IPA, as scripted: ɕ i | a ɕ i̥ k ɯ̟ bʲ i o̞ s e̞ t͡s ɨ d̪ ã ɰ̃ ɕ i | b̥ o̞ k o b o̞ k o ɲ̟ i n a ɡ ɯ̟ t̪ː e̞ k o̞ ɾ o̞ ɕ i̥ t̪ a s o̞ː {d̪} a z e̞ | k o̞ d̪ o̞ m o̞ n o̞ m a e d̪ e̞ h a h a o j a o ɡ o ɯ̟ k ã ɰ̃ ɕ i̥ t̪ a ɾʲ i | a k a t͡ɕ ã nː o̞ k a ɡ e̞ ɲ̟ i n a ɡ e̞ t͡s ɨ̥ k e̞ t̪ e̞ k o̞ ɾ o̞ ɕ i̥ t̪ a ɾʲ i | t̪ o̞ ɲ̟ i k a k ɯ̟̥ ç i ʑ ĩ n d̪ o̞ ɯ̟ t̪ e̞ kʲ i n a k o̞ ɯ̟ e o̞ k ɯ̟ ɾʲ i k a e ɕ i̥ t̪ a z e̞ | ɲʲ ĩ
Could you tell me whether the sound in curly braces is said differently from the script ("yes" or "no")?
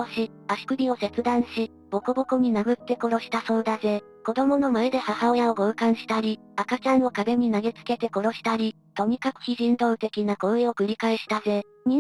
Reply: no